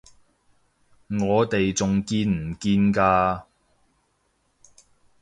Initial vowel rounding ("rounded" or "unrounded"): rounded